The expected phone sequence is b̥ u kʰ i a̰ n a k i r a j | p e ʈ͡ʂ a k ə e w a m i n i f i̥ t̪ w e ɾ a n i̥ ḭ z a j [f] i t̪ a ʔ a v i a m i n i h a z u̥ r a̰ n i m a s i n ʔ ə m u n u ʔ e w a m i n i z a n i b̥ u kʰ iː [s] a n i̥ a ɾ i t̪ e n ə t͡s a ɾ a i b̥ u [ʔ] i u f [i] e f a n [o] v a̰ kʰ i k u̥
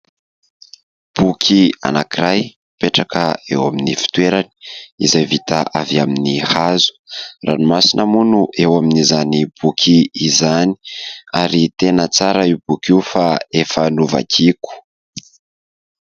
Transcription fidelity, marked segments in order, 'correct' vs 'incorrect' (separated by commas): incorrect, incorrect, incorrect, incorrect, incorrect